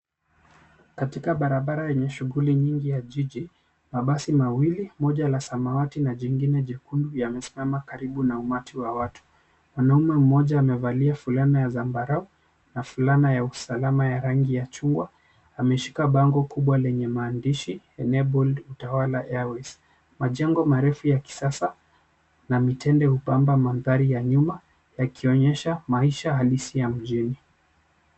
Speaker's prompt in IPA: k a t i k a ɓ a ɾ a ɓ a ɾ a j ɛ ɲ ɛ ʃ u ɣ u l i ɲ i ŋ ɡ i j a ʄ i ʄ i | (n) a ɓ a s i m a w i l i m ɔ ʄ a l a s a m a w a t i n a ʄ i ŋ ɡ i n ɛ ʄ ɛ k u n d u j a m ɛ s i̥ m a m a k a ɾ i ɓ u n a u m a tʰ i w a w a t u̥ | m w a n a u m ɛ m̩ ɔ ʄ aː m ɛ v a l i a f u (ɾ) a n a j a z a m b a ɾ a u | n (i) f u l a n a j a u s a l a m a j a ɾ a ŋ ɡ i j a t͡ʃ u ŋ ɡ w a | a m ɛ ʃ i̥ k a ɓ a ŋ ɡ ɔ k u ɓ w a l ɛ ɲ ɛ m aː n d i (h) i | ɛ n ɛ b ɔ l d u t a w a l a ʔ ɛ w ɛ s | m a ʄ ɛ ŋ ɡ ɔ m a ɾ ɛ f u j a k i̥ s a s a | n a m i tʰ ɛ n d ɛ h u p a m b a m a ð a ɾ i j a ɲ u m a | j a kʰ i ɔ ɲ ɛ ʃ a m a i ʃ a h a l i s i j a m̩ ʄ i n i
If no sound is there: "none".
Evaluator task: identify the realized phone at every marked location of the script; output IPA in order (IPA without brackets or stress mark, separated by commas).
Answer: m, l, a, ʃ